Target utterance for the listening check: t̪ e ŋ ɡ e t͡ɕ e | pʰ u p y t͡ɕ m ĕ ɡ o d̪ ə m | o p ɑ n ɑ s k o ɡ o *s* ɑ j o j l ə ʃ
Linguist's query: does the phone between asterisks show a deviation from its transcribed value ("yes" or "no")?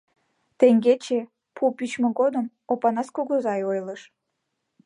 yes